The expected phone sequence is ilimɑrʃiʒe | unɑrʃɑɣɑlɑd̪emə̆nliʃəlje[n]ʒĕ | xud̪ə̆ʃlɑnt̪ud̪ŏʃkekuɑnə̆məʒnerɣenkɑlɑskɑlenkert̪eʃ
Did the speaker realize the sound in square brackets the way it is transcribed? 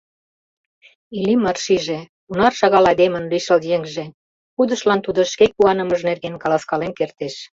no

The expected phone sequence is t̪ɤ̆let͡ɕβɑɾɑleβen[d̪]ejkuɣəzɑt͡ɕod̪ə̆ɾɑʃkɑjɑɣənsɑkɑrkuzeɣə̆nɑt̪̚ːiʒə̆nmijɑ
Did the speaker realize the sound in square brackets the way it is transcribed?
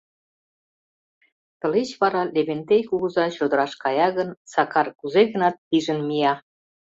no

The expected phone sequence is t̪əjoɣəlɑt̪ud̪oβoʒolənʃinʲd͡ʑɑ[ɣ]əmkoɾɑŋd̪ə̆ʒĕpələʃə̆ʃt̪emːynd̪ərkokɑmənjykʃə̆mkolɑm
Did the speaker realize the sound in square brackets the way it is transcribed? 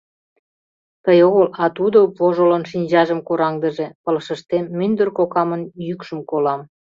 no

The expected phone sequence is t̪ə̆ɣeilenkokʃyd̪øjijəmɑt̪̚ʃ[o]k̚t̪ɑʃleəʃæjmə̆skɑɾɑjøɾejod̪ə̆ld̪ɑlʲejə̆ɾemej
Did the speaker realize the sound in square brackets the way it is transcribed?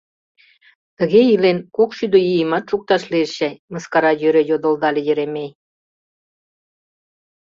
no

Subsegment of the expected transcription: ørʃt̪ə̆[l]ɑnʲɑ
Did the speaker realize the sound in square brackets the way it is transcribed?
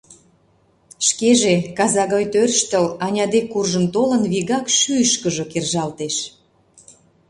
yes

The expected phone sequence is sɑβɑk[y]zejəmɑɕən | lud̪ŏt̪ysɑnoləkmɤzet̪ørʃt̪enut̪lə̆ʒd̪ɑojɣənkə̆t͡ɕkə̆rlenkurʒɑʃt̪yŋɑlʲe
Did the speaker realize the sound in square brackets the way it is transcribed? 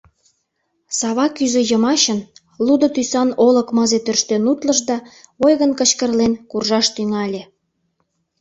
yes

